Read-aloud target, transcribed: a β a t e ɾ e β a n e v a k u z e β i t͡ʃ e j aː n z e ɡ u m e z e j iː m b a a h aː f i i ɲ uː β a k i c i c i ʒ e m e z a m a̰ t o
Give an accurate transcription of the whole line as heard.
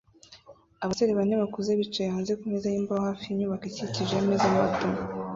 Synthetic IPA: a β a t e ɾ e β a n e β a k u z e β i t͡ʃ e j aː n z e k u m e z a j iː m b a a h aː f i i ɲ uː β a k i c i c i ʒ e m e z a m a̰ t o

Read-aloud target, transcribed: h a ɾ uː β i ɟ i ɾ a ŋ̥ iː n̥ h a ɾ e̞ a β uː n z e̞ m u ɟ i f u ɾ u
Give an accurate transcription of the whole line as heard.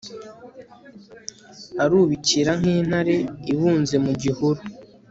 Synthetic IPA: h a ɾ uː β i c i ɾ a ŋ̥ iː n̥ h a ɾ e̞ i β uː n z e̞ m u ɟ i h u ɾ u

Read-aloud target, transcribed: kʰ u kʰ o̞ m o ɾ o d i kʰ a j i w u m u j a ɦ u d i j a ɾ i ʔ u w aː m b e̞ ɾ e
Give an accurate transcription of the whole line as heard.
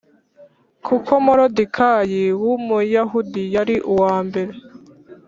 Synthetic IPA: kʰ u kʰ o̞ m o ɾ o d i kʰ a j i w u m u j a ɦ u d i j a ɾ i ʔ u w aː m b e̞ ɾ e

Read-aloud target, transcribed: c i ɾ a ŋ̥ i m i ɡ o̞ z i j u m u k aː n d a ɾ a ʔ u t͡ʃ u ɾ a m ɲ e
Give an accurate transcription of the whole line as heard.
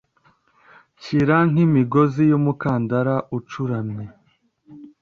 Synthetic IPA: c i ɾ a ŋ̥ i m i ɡ o̞ z i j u m u k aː n d a ɾ a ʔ u t͡ʃ u ɾ a m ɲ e

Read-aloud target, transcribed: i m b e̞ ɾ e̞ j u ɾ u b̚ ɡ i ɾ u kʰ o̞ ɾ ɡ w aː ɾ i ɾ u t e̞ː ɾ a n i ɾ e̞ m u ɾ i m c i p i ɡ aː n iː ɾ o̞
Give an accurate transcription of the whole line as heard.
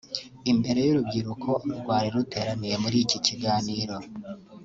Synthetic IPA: i m b e̞ ɾ e̞ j u ɾ u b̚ ɡ i ɾ u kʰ o̞ ɾ ɡ w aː ɾ i ɾ u t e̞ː ɾ a n i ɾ e̞ m u ɾ i c i c i ɡ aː n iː ɾ o̞

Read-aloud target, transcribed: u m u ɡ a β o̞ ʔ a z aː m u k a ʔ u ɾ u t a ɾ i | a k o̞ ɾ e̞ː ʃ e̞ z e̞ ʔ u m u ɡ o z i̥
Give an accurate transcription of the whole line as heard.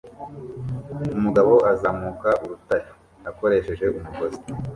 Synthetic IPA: u m u ɡ a β o̞ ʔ a z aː m u k a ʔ u ɾ u t a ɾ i | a k o̞ ɾ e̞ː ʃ e̞ ʒ e̞ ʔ u m u ɡ o z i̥

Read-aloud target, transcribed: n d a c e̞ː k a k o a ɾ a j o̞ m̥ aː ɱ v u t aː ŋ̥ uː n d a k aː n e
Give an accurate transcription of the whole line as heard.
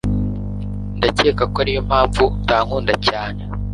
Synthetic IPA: n d a c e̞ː k a k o a ɾ i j o̞ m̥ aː ɱ v u t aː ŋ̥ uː n d a c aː n e

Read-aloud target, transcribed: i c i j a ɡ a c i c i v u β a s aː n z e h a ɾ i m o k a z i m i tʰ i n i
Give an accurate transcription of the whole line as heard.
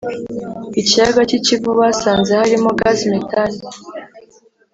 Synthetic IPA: i c i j a ɡ a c i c i v u β a s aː n z e h a ɾ i m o ɡ a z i m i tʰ a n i

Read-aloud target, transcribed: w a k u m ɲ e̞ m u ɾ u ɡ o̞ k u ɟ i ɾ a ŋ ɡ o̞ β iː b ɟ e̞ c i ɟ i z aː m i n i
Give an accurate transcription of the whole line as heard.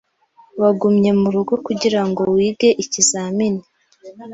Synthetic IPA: w a ɡ u m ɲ e̞ m u ɾ u ɡ o̞ k u ɟ i ɾ a ŋ ɡ o̞ w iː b ɡ e̞ ʔ i c i z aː m i n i

